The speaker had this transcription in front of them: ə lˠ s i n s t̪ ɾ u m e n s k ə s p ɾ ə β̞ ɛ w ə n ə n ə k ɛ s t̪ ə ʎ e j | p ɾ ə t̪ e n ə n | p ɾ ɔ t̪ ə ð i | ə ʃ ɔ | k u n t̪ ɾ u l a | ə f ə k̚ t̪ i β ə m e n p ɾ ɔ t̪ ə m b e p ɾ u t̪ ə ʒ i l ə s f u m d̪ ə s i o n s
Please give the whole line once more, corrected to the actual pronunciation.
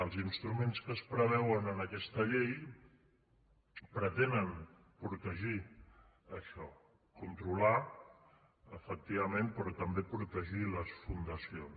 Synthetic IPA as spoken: ə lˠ z i n s t̪ ɾ u m e n s k ə s p ɾ ə β̞ ɛ w ə n ə n ə k ɛ s t̪ ə ʎ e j | p ɾ ə t̪ e n ə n | p ɾ u t̪ ə ʒ i | ə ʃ ɔ | k u n t̪ ɾ u l a | ə f ə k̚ t̪ i β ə m e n p ɾ ɔ t̪ ə m b e p ɾ u t̪ ə ʒ i l ə s f u n d̪ ə s i o n s